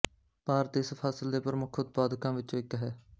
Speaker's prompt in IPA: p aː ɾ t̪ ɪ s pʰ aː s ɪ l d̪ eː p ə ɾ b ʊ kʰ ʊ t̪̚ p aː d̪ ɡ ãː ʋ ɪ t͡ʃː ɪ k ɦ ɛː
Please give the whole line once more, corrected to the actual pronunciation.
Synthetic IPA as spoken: p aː ɾ t̪ ɪ s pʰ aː s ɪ l d̪ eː p ə ɾ m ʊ kʰ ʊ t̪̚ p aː d̪ k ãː ʋ ɪ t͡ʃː ɪ k ɦ ɛː